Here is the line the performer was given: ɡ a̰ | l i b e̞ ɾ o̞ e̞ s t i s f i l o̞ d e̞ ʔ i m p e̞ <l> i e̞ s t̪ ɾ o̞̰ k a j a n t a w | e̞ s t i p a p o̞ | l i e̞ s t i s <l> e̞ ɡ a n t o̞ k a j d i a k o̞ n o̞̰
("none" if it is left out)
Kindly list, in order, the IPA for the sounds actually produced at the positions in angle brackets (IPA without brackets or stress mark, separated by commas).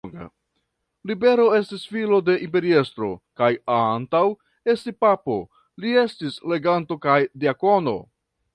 ɾ, l